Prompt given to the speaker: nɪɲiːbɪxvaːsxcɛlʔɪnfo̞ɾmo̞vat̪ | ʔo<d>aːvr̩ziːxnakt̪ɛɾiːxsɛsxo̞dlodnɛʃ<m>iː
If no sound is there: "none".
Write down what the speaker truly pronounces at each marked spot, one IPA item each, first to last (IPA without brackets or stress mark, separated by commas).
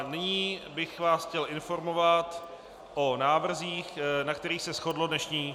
n, ɲ